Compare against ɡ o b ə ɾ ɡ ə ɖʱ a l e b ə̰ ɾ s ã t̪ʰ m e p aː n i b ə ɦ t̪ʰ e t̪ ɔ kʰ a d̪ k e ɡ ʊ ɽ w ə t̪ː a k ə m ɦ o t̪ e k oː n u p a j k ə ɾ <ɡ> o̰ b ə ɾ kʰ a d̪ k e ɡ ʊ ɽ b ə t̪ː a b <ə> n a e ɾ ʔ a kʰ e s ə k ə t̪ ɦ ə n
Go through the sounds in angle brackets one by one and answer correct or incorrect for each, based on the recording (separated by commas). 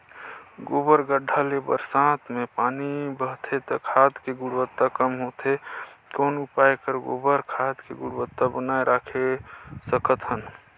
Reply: correct, correct